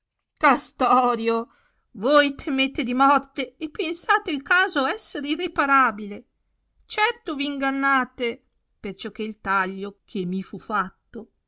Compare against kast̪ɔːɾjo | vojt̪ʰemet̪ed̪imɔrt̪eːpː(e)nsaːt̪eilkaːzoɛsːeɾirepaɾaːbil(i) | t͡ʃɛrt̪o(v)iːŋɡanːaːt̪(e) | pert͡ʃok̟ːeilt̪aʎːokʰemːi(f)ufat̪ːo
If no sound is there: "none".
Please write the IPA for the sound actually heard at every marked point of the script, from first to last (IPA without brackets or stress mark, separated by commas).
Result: e, e, v, e, f